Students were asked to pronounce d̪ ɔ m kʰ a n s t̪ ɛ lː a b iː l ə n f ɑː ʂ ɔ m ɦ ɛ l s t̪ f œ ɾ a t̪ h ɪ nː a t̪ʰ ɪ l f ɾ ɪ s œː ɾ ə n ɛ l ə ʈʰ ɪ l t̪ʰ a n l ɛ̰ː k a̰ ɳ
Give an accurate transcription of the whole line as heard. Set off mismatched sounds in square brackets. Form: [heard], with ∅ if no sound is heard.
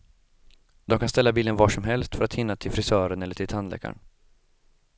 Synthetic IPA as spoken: d̪ ɔ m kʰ a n s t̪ ɛ lː a b iː l ə n [v] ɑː ʂ ɔ m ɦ ɛ l s t̪ f œ ɾ a t̪ h ɪ nː a t̪ʰ ɪ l f ɾ ɪ s œː ɾ ə n ɛ [lː] ə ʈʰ ɪ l t̪ʰ a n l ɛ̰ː k a̰ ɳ